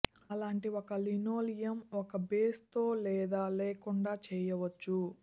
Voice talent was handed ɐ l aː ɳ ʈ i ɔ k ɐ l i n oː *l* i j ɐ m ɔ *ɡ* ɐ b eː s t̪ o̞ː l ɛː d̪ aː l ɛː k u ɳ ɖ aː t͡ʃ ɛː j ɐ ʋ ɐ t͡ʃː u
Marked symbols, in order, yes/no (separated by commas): yes, no